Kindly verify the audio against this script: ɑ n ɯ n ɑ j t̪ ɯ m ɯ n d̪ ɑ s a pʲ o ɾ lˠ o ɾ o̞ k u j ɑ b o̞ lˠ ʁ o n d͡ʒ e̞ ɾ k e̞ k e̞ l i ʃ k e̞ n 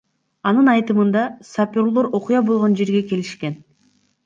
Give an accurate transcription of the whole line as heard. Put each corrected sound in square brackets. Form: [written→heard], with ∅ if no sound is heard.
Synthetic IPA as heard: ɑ n ɯ n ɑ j t̪ ɯ m ɯ n d̪ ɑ s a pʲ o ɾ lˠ o ɾ o̞ [k→q] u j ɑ b o̞ lˠ ʁ o n d͡ʒ e̞ ɾ [k→ɡ] e̞ k e̞ l i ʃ k e̞ n